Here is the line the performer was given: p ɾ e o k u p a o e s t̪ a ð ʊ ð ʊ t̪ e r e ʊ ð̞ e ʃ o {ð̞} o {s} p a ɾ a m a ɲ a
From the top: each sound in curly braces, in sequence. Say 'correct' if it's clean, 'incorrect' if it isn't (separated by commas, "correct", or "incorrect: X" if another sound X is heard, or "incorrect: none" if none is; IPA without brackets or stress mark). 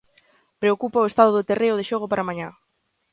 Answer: incorrect: ɣ̞, incorrect: none